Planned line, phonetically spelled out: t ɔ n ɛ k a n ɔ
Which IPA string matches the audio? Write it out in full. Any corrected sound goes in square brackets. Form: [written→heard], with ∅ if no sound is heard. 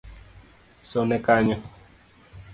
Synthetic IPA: [t→s] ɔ n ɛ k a [n→ɲ] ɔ